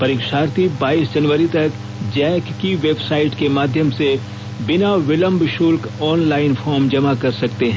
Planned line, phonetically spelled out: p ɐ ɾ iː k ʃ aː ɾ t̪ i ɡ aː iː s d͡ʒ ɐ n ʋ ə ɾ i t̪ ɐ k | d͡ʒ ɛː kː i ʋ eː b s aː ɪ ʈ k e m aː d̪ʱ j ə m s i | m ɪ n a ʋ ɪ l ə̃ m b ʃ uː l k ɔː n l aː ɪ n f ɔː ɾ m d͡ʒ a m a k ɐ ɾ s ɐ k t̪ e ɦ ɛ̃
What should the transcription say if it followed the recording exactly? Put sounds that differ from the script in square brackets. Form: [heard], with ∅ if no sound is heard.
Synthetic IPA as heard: p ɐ ɾ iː k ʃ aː ɾ t̪ i [b] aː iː s d͡ʒ ɐ n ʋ ə ɾ i t̪ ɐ k | d͡ʒ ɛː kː i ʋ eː b s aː ɪ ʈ k e m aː d̪ʱ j ə m s [e] | [b] ɪ n a ʋ ɪ l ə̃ m b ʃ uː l k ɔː n l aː ɪ n f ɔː ɾ m d͡ʒ [ɐ] m a k ɐ ɾ s ɐ k t̪ e ɦ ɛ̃